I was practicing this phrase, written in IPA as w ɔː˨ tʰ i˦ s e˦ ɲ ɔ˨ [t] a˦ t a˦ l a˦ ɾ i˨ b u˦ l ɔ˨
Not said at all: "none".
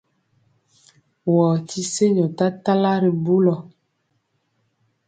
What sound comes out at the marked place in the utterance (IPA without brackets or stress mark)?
t